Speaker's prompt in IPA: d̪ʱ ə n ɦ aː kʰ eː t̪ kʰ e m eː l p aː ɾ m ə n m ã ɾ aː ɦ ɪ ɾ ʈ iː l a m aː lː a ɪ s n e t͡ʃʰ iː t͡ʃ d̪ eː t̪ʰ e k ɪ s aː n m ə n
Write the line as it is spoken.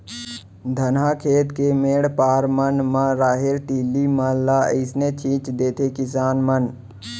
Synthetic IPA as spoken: d̪ʱ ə n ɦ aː kʰ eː t̪ k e m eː ɽ p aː ɾ m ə n m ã ɾ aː ɦ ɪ ɾ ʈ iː l i m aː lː a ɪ s n e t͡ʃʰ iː t͡ʃ d̪ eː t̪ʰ e k ɪ s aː n m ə n